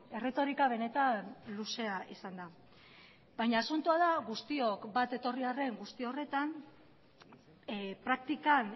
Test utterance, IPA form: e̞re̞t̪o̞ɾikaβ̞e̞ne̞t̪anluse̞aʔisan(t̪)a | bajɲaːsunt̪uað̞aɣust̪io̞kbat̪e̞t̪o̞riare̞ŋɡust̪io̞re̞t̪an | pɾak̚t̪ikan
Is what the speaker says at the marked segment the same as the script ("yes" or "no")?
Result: no